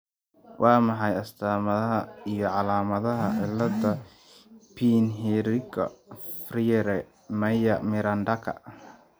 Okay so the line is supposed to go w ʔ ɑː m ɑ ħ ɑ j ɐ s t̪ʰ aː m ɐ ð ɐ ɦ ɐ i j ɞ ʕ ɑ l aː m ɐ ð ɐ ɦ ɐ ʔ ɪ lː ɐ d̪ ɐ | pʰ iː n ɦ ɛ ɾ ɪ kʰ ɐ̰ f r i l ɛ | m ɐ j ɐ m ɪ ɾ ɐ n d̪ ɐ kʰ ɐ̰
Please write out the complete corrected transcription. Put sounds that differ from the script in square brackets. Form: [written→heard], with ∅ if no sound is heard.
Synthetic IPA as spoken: w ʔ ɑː m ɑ ħ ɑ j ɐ s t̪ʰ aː m ɐ ð ɐ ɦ ɐ i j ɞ ʕ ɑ l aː m ɐ ð ɐ ɦ ɐ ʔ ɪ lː ɐ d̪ ɐ | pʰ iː n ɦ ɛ ɾ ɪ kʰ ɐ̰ f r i [l→ɾ] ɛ | m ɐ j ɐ m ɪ ɾ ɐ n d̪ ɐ kʰ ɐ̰